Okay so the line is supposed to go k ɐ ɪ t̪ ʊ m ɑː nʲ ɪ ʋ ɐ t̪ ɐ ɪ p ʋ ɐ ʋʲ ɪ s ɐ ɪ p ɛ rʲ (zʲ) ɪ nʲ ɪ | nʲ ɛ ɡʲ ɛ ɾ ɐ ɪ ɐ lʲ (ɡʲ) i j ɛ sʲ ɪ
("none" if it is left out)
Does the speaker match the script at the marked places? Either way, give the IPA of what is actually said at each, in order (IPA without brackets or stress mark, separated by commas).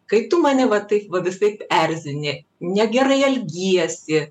zʲ, ɡʲ